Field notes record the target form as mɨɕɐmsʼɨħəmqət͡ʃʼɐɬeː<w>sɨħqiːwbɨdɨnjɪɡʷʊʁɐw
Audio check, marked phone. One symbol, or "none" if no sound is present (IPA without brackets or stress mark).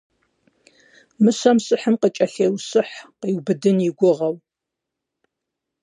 w